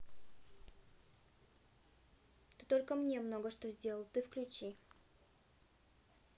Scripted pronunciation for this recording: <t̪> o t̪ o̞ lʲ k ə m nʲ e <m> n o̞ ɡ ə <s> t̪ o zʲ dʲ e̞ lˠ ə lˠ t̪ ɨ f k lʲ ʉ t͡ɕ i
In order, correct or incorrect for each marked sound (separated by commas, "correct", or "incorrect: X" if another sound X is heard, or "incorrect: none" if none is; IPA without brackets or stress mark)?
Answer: correct, correct, incorrect: ʂ